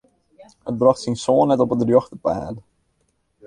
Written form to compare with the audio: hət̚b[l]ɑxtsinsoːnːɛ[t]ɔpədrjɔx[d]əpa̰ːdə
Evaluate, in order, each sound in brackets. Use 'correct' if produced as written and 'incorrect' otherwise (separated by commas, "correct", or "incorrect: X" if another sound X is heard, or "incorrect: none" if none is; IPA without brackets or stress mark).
incorrect: r, correct, incorrect: t